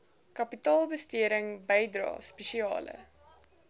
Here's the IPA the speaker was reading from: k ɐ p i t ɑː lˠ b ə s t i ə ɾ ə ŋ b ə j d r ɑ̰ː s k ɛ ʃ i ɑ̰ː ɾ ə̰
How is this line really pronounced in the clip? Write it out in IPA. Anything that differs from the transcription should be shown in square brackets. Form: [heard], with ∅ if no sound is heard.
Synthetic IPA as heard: k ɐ p i t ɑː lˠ b ə s t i ə ɾ ə ŋ b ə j d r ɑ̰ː s [p] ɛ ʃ i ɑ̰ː [l] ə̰